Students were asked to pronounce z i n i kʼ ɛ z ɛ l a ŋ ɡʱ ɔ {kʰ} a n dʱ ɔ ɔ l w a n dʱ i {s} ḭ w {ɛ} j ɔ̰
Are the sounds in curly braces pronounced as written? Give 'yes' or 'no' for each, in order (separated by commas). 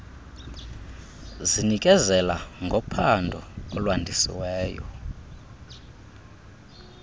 no, yes, no